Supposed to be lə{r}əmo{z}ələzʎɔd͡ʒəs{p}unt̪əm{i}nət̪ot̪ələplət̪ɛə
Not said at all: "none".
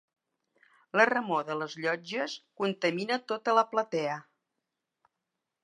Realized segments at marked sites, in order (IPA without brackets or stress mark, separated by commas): r, ð, k, i